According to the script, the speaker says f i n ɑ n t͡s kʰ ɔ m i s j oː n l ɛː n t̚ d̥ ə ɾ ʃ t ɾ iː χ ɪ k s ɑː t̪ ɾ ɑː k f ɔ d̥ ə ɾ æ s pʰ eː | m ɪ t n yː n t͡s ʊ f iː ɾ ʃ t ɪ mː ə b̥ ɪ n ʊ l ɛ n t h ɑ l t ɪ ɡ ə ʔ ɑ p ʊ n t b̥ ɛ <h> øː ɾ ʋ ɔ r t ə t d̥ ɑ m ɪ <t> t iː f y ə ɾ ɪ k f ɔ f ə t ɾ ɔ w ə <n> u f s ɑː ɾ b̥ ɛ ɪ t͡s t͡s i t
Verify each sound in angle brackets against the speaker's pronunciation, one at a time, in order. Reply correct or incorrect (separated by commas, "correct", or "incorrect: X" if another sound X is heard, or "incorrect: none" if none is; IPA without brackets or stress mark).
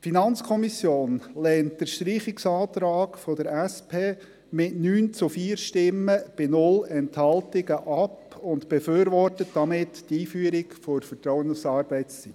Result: incorrect: f, correct, correct